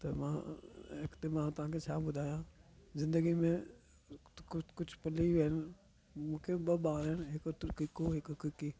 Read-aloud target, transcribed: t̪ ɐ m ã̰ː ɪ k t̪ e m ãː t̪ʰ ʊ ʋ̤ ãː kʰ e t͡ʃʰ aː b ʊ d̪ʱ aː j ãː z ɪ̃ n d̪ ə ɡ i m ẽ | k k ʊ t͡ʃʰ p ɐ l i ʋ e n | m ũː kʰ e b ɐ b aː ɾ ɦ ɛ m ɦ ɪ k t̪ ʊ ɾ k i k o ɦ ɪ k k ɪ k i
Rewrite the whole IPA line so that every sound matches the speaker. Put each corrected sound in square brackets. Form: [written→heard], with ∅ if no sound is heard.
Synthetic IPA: t̪ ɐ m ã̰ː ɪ k t̪ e m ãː [t̪ʰ→t̪] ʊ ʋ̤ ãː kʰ e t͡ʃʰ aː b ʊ d̪ʱ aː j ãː z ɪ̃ n d̪ ə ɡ i m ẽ | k k ʊ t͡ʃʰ p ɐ l i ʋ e n | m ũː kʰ e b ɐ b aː ɾ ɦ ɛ [m→n] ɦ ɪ k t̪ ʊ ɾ k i k o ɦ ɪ k k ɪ k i